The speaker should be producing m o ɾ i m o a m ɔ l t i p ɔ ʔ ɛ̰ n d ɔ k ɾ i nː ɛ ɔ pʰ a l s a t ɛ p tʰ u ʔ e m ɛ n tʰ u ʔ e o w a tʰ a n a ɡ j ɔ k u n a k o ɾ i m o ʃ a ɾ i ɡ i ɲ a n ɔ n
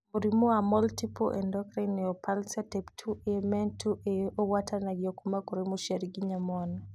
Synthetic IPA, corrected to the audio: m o ɾ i m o a m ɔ l t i p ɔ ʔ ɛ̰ n d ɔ k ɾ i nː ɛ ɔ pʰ a l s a t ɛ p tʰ u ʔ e m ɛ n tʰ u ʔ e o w a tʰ a n a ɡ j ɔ k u m a k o ɾ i m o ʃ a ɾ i ɡ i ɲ a m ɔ n